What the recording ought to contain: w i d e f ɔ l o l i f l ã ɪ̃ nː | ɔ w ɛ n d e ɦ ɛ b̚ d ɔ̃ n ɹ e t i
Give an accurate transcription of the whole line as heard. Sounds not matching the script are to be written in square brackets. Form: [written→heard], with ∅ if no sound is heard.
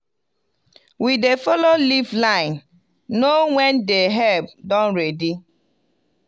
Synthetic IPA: w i d e f ɔ l o l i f l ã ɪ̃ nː | [ɔ→o] w ɛ n d e ɦ ɛ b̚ d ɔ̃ n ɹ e [t→d] i

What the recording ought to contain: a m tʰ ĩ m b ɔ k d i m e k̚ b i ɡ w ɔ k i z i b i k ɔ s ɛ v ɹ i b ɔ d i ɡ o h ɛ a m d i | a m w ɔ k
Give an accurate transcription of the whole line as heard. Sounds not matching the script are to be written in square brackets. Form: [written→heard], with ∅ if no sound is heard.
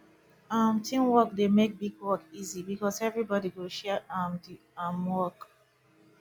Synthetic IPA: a m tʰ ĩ m [b→w] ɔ k d [i→e] m e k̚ b i ɡ w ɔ k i z i b i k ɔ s ɛ v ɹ i b ɔ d i ɡ o [h→ʃ] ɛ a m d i | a m w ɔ k

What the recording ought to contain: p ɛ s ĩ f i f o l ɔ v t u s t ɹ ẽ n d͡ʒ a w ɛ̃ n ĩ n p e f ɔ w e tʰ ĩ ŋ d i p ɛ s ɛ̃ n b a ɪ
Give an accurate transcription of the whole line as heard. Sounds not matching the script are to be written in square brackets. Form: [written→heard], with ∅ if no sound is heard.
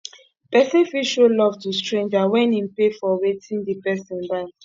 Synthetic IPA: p ɛ s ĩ f i [f→ʃ] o l ɔ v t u s t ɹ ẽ n d͡ʒ a w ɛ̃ n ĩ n p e f ɔ w e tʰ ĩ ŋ d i p ɛ s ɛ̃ n b a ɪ

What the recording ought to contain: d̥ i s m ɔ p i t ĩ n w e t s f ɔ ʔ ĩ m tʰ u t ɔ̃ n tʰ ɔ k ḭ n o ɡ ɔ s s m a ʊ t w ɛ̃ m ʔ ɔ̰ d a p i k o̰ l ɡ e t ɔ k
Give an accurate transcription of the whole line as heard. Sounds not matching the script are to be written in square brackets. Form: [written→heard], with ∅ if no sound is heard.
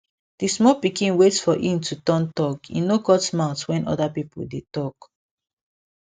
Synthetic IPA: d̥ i s m ɔ p i [t→k] ĩ n w e t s f ɔ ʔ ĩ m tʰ u t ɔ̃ n [tʰ→t] ɔ k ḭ n o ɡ ɔ [s→t] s m a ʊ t w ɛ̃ [m→n] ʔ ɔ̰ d a p i [k→p] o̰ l [ɡ→d] e t ɔ k

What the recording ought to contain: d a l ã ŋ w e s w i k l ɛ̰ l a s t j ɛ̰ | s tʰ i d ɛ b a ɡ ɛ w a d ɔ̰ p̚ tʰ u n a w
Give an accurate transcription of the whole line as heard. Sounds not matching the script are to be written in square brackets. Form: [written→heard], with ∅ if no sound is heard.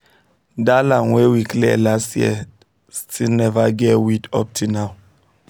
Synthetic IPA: d a l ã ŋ w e [s→∅] w i k l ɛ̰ l a s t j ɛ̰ | s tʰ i [d→n] ɛ [b→v] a ɡ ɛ w [a→i] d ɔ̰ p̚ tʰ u n a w

